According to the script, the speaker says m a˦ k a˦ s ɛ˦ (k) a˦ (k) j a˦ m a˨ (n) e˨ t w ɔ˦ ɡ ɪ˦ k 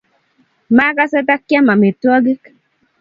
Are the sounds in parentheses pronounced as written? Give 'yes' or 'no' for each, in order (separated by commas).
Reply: no, yes, no